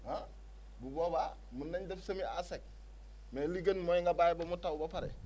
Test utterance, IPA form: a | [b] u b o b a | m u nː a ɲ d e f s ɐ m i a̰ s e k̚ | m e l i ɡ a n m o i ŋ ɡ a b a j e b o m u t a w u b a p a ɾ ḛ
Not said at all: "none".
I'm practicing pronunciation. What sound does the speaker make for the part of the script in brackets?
b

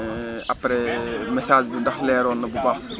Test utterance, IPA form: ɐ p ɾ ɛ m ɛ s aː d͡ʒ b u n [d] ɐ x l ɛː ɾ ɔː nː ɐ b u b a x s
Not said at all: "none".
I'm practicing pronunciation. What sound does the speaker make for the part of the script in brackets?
d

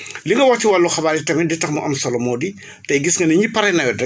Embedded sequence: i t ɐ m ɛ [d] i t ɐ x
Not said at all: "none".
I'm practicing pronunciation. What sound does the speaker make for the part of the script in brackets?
d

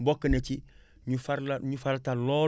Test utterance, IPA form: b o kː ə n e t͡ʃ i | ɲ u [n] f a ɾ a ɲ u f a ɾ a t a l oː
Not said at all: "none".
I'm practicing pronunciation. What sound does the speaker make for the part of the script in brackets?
none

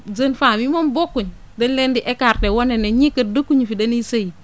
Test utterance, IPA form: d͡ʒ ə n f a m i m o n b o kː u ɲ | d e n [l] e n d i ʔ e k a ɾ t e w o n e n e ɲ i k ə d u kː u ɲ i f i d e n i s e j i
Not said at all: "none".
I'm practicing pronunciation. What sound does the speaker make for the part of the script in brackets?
l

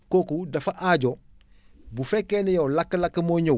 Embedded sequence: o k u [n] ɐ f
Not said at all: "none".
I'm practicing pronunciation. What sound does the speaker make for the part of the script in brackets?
d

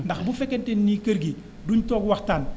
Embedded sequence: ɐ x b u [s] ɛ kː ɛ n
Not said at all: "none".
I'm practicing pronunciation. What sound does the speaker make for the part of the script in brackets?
f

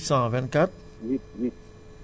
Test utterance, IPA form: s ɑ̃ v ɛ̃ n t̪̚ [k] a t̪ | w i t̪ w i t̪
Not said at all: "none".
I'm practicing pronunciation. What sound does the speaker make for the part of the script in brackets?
k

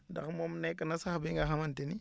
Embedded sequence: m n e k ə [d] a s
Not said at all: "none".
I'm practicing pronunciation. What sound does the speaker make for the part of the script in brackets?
n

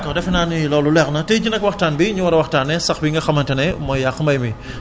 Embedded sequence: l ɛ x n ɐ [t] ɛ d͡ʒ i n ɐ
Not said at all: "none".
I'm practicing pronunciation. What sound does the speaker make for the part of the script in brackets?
t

